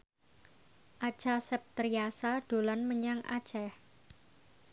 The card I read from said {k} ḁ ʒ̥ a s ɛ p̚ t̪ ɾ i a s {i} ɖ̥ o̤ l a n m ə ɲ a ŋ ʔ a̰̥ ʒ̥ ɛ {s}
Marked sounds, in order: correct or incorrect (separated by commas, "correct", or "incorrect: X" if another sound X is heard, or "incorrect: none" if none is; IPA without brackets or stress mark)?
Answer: incorrect: ʔ, incorrect: a, incorrect: h